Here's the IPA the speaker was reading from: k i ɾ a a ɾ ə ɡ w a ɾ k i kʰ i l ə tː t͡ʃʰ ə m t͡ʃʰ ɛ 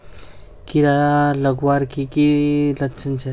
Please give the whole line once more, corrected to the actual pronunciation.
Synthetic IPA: k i ɾ a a l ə ɡ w a ɾ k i k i l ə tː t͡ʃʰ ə n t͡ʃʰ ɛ